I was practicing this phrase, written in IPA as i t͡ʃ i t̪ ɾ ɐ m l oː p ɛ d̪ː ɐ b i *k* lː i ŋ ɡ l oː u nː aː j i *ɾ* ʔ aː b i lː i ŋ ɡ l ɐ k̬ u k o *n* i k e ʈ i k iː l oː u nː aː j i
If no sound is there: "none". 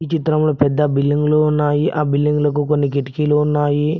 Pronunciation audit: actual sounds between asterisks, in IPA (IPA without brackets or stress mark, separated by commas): none, none, nː